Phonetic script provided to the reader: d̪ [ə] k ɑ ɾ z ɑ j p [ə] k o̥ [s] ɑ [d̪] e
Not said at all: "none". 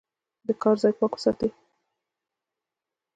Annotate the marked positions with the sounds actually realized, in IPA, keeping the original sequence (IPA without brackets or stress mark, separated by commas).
ə, ɑ, s, t̪